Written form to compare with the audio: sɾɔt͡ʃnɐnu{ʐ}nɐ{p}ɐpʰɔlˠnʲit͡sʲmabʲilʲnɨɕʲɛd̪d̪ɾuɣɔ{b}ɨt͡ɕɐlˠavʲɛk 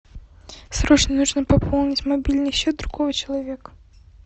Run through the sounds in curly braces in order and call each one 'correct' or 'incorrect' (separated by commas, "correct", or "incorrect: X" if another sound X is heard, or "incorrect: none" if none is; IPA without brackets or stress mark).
correct, correct, incorrect: v